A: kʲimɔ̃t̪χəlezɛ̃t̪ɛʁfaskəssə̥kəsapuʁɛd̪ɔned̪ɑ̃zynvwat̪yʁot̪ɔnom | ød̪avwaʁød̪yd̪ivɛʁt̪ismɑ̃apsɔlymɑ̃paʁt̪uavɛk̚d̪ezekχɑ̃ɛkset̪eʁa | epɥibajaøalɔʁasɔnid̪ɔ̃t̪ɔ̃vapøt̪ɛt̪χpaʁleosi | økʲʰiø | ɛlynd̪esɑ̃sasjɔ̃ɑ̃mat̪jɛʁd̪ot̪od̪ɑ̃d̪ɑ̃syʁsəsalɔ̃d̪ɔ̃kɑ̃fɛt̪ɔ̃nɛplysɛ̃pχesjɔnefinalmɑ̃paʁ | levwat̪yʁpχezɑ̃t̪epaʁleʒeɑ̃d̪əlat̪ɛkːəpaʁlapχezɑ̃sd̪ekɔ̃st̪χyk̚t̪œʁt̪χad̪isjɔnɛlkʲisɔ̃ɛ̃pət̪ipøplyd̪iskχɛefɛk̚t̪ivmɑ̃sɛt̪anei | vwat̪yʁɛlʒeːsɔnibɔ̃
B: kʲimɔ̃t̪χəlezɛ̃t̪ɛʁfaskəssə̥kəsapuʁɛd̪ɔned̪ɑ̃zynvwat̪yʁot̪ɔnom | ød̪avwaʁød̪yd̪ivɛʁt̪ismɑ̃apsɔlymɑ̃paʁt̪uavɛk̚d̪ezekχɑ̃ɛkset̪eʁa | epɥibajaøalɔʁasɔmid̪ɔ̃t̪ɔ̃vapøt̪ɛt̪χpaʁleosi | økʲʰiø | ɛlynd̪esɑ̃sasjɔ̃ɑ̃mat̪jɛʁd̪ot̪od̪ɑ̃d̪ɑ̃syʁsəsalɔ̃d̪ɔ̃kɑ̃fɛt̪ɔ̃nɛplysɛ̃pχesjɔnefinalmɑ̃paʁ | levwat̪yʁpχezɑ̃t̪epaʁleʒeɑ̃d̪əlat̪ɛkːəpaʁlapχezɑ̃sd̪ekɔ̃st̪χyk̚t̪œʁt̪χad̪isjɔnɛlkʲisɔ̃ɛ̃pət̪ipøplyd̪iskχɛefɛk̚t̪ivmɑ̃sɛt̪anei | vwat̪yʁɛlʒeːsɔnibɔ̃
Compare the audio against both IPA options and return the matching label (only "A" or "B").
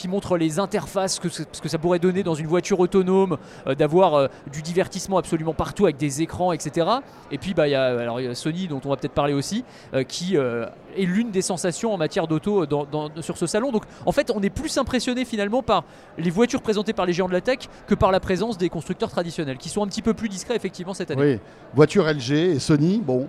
A